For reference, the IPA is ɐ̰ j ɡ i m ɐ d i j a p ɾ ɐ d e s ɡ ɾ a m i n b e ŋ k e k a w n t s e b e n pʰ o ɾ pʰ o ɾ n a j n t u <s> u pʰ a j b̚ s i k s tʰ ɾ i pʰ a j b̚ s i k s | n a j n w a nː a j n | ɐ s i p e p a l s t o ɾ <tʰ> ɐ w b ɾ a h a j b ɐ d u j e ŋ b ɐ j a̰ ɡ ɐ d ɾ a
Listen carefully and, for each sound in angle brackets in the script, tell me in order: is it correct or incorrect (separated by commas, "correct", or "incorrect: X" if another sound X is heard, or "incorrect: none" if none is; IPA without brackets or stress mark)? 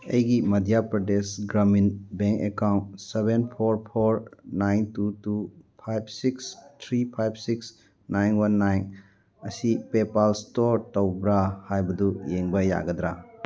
incorrect: t, incorrect: t